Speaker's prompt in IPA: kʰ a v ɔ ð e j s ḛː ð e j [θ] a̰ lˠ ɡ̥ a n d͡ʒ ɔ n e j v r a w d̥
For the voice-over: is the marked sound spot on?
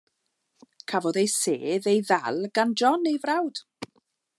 no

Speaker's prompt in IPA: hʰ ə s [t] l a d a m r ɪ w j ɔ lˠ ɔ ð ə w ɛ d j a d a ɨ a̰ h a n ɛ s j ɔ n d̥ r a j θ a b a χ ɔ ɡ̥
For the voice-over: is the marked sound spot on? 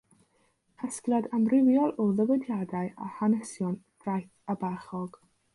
no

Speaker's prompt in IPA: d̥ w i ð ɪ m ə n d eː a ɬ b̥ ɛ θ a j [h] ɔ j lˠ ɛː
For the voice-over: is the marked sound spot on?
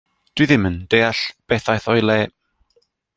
no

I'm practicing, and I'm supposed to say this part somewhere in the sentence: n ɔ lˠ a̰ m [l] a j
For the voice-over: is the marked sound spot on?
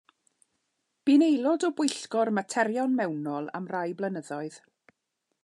no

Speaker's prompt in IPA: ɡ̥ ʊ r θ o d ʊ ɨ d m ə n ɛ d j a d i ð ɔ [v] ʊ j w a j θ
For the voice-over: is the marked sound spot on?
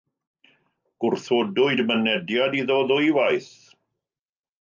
no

